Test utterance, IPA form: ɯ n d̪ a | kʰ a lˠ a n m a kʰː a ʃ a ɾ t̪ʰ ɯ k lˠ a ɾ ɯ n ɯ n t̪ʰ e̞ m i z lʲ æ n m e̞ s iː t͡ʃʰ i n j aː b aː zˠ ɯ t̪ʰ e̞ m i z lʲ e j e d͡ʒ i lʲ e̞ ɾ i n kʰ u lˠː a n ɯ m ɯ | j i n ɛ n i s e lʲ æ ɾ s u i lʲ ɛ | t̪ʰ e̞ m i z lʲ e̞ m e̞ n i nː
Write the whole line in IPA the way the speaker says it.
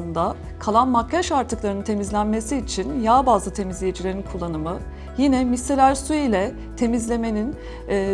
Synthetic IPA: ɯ n d̪ a | kʰ a lˠ a n m a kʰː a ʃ a ɾ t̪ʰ ɯ k lˠ a ɾ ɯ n ɯ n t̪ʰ e̞ m i z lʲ æ n m e̞ s iː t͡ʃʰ i n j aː b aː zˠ ɯ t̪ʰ e̞ m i z lʲ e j e d͡ʒ i lʲ e̞ ɾ i n kʰ u lˠː a n ɯ m ɯ | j i n ɛ m i s e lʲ æ ɾ s u i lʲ ɛ | t̪ʰ e̞ m i z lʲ e̞ m e̞ n i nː